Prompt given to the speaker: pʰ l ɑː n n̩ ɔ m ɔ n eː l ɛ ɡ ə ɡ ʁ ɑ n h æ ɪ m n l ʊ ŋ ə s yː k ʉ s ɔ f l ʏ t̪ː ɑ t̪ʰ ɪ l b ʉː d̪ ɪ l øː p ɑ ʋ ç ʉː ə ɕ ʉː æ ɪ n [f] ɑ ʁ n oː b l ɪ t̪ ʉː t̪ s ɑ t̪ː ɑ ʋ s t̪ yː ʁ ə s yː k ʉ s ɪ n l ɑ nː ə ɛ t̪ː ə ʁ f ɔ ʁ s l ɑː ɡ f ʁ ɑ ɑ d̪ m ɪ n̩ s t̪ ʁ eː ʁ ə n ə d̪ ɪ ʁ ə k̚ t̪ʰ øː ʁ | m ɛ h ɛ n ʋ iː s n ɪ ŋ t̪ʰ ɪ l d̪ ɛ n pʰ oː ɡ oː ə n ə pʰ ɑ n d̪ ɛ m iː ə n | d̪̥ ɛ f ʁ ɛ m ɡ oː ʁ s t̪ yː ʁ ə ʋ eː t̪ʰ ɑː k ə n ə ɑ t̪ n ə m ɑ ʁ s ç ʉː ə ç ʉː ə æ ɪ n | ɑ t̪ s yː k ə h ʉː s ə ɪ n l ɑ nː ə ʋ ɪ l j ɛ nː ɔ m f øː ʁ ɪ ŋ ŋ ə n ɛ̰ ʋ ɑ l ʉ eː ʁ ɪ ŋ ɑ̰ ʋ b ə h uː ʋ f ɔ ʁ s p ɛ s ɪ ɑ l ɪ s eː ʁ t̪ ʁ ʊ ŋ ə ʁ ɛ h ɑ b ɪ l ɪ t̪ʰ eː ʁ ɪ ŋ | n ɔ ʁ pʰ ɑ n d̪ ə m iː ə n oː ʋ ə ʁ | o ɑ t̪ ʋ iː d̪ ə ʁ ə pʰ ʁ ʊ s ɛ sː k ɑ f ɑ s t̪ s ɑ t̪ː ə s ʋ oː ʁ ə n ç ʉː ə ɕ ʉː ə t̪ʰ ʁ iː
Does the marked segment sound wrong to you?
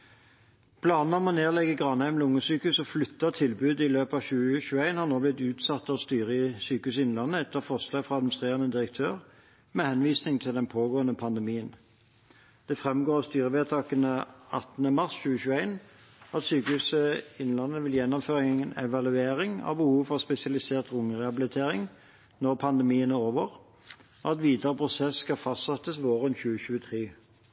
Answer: yes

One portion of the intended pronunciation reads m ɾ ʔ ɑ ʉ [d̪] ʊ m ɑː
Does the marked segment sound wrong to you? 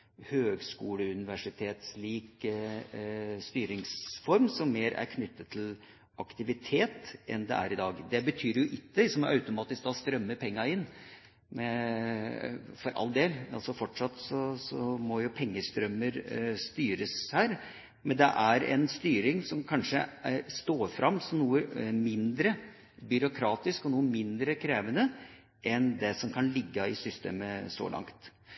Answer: yes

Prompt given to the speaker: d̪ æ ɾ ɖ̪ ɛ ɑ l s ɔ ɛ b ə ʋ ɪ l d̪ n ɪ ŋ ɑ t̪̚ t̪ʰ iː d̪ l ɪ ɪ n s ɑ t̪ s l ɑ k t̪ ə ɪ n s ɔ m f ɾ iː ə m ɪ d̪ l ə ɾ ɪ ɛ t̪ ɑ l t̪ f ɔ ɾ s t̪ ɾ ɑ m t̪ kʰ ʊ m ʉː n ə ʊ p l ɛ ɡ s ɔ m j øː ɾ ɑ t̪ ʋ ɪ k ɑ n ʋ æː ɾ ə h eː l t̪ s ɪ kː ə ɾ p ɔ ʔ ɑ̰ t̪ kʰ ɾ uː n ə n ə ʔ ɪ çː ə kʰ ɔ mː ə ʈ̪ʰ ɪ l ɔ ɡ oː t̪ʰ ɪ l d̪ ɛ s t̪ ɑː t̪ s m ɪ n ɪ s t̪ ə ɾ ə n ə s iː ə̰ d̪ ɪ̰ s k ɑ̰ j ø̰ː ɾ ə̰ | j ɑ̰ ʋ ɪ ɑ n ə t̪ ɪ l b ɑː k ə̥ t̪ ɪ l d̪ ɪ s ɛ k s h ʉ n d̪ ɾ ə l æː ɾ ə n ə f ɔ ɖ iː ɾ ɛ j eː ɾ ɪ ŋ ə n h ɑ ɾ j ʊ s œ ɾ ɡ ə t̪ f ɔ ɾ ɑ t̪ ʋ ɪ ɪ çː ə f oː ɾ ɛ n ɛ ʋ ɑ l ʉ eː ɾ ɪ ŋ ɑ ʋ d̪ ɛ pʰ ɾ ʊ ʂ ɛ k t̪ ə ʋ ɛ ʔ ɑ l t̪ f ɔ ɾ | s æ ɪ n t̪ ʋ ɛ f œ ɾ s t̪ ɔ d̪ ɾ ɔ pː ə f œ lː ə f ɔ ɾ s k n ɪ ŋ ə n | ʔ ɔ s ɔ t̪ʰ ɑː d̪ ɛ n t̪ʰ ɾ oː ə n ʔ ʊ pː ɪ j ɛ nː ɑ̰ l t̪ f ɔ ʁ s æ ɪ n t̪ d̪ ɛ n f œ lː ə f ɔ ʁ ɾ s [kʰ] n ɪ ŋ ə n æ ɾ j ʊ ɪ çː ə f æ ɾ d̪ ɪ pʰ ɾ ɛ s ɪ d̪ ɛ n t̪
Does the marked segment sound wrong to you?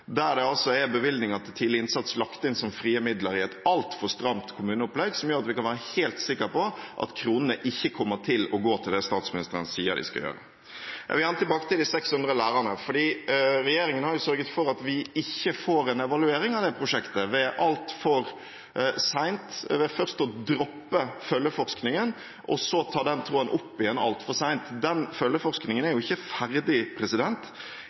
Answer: yes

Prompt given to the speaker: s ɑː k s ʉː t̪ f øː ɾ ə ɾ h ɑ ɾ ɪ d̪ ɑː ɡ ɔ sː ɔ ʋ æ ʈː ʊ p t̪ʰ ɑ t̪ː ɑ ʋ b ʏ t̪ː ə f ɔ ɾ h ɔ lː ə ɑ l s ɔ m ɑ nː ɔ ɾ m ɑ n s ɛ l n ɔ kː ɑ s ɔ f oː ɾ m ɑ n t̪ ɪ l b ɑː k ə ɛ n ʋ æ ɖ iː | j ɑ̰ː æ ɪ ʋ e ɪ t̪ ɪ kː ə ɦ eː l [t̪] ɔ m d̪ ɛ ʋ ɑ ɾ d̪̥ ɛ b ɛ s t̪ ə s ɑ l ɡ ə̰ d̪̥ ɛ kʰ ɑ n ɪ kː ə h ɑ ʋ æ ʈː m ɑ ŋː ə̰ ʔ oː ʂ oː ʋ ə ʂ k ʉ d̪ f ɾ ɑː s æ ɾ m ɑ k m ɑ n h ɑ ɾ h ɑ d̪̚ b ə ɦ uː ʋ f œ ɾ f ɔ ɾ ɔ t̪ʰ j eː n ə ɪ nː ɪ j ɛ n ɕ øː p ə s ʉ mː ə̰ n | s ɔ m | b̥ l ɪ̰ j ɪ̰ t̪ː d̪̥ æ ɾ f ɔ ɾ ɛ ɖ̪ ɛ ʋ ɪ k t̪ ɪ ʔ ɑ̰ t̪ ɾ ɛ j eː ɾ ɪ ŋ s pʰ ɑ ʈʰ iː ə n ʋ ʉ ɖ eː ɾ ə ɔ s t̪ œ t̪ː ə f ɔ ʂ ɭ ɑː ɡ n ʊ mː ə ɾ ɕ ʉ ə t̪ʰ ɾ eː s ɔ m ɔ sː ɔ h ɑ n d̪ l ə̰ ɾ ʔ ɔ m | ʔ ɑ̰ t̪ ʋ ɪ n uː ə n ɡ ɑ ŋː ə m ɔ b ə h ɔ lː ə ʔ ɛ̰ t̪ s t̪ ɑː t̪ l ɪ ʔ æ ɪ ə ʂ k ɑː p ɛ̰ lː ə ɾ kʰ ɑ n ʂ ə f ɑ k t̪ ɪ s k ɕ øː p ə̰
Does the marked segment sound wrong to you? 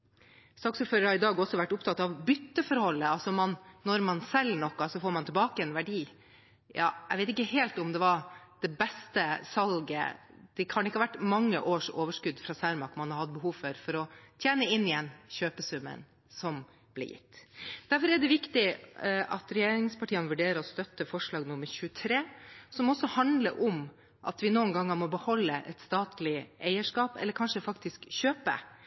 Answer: no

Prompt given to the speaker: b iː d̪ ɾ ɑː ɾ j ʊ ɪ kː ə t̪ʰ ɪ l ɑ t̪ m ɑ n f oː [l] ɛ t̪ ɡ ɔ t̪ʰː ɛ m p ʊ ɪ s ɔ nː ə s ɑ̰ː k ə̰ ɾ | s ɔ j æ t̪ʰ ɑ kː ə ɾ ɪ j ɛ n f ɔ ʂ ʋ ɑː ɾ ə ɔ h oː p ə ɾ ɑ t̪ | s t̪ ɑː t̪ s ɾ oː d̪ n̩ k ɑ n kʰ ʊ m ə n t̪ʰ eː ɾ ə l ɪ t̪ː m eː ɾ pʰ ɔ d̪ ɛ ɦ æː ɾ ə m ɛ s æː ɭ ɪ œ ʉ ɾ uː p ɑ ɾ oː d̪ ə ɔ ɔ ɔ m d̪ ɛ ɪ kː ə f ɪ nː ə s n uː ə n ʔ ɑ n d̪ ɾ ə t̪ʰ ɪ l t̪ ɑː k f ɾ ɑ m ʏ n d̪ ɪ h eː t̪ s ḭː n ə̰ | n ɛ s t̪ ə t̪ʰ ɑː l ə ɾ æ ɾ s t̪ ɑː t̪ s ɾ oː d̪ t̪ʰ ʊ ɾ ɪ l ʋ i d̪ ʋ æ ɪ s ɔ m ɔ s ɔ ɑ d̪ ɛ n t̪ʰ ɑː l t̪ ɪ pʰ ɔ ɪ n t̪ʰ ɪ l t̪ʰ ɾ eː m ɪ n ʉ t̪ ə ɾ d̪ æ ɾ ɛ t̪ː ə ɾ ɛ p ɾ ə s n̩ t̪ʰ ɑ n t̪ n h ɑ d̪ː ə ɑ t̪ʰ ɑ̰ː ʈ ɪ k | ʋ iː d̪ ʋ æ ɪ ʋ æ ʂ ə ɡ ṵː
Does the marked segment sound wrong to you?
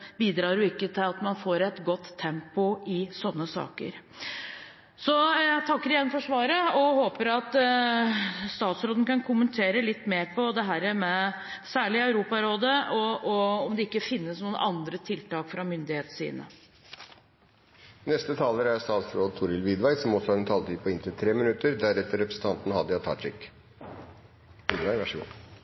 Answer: yes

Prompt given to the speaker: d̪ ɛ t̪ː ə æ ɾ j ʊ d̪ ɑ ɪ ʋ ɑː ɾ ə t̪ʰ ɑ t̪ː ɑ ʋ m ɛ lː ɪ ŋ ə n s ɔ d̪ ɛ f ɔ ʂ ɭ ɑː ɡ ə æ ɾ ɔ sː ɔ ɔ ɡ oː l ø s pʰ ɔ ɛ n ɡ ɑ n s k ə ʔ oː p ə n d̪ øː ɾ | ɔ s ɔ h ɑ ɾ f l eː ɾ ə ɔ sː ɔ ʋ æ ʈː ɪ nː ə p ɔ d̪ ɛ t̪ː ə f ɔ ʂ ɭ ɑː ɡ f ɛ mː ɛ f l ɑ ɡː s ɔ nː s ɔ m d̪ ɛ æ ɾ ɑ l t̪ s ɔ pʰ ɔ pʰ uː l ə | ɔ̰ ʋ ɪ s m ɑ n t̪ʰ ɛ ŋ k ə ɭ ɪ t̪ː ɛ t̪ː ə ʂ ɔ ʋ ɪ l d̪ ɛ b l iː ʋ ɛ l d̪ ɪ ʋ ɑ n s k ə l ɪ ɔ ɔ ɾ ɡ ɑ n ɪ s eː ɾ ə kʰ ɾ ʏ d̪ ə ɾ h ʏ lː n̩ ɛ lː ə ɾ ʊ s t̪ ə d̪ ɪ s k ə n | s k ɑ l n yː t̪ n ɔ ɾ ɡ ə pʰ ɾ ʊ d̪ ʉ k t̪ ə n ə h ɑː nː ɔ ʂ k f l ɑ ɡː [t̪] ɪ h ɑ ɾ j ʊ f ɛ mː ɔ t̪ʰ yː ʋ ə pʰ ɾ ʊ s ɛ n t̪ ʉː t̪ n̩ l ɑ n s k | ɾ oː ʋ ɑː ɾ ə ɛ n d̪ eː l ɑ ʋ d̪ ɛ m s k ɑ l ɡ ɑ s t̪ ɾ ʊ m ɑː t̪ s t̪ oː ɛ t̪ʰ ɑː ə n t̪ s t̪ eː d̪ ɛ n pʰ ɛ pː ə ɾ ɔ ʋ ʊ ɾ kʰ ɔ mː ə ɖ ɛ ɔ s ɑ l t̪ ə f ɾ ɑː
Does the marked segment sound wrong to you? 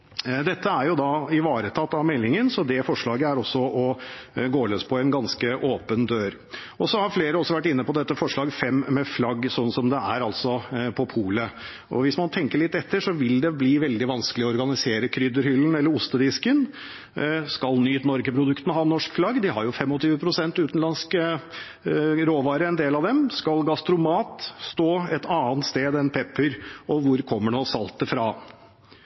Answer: yes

